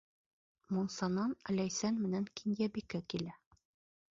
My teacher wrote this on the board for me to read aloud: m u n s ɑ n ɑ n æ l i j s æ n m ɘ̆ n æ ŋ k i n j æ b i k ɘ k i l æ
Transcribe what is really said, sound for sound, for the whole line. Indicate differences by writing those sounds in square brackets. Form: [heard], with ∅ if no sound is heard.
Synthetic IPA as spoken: m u n s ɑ n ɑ n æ l [æ] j s æ n m ɘ̆ n æ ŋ k i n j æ b i k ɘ k i l æ